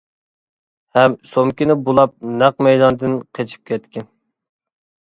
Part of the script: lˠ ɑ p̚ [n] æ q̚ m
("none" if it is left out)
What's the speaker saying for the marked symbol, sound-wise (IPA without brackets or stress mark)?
n